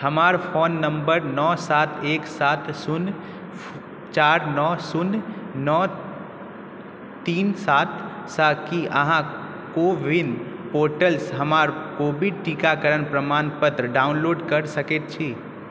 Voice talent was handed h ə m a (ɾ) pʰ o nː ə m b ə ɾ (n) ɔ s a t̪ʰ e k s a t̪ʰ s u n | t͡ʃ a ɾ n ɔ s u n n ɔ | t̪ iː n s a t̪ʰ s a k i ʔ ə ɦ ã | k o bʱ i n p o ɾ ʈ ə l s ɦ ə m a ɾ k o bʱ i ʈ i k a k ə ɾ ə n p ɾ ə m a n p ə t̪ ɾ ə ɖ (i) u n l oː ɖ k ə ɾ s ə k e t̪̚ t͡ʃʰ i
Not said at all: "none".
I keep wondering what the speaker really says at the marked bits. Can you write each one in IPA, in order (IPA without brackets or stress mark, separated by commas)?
ɾ, n, a